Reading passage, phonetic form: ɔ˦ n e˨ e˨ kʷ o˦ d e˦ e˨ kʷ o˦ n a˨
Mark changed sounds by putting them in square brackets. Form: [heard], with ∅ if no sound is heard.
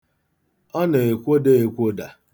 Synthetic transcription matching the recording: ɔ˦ n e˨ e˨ kʷ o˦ d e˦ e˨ kʷ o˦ [d] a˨

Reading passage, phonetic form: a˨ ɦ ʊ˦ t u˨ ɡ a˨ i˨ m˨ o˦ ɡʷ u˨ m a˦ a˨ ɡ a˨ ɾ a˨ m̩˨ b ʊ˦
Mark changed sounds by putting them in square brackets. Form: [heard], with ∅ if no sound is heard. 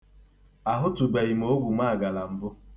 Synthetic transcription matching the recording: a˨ ɦ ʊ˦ t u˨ [ɡ͡b] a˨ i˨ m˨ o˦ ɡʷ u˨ m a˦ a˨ ɡ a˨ [l] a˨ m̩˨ b ʊ˦

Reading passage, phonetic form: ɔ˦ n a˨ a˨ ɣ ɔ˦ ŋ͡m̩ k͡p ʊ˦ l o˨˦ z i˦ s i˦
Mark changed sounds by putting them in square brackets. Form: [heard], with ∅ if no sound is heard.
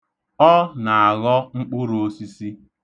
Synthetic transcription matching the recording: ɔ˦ n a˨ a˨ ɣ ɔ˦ ŋ͡m̩ k͡p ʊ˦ [ɾ] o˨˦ [s] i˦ s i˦

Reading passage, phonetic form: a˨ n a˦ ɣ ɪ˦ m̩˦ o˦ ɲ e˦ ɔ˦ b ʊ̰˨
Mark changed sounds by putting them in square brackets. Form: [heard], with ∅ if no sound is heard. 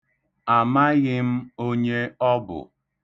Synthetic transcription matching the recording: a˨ [m] a˦ ɣ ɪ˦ m̩˦ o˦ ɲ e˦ ɔ˦ b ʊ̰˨

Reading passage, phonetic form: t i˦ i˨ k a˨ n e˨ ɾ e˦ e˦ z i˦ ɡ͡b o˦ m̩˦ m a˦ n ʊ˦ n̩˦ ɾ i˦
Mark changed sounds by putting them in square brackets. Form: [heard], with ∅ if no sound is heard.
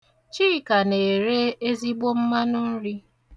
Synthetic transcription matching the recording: [t͡ʃ] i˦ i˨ k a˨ n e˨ ɾ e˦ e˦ z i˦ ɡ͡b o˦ m̩˦ m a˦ n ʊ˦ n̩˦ ɾ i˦

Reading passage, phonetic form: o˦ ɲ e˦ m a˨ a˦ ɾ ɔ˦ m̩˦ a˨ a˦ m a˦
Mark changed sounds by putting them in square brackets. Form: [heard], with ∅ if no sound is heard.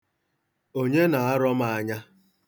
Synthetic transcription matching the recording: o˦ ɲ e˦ [n] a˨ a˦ ɾ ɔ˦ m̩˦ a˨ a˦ [ɲ] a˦

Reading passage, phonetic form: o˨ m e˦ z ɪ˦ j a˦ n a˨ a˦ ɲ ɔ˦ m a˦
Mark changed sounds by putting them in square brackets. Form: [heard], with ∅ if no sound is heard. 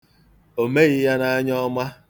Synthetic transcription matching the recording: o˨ m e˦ [ɣ] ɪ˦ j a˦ n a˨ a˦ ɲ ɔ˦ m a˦

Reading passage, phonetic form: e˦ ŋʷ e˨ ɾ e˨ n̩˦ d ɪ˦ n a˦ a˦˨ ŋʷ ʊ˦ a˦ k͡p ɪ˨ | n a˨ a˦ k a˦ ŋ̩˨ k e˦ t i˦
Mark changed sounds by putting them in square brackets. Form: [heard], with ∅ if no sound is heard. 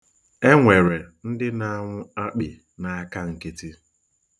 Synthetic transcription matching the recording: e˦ ŋʷ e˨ ɾ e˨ n̩˦ d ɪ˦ n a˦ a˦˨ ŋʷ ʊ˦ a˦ k͡p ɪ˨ | n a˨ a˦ k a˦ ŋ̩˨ k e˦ t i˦

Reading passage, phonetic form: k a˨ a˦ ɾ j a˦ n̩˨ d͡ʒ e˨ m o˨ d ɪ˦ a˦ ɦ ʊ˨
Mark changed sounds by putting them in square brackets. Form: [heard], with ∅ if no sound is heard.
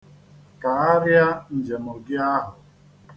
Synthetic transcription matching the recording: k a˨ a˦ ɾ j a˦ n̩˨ d͡ʒ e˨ m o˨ [ɡ] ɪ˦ a˦ ɦ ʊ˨

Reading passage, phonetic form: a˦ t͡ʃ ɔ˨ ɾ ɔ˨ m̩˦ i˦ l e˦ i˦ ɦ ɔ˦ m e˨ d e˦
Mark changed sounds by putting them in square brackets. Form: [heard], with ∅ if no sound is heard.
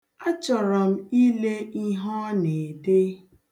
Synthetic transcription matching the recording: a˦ t͡ʃ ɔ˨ ɾ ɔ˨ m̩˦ i˦ l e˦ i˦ ɦ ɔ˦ [n] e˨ d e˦

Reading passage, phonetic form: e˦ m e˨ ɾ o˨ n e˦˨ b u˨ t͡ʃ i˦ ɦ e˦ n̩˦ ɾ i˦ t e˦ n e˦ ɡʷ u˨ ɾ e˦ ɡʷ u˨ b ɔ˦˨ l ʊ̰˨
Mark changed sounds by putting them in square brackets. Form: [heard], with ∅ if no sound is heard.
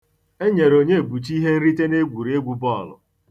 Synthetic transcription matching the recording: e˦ [ɲ] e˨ ɾ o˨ [ɲ] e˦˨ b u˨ t͡ʃ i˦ ɦ e˦ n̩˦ ɾ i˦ t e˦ n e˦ ɡʷ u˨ ɾ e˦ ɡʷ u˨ b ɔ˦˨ l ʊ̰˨

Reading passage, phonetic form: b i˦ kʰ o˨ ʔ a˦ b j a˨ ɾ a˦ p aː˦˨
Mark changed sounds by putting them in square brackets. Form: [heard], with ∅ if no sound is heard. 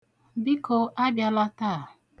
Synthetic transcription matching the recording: b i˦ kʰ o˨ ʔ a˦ b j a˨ [l] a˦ [t] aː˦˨

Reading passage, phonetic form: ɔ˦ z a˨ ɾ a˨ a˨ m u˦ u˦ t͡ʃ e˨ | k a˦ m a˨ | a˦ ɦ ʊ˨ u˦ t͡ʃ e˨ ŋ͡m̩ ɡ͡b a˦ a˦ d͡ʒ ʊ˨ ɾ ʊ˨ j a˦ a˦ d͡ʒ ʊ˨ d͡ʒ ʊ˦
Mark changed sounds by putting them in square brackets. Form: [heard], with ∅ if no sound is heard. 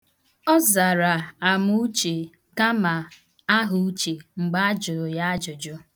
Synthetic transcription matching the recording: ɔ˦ z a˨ ɾ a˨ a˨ m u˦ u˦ t͡ʃ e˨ | k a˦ m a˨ | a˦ ɦ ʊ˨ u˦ t͡ʃ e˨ ŋ͡m̩ ɡ͡b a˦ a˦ d͡ʒ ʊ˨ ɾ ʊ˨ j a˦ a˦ d͡ʒ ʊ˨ d͡ʒ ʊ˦

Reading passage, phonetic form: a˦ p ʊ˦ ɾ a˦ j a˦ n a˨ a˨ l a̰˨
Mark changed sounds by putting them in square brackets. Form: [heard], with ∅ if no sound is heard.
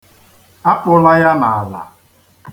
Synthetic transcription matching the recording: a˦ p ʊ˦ [l] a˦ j a˦ n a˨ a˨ l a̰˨

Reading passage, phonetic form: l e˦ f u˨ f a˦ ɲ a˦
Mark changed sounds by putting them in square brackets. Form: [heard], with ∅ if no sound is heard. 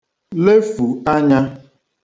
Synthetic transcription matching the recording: l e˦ f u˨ [∅] a˦ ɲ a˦

